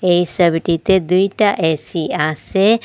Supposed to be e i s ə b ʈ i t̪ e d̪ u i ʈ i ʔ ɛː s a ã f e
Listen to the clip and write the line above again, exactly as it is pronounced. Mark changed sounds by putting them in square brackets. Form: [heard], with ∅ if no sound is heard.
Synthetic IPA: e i s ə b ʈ i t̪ e d̪ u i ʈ [a] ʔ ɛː s [i] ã [s] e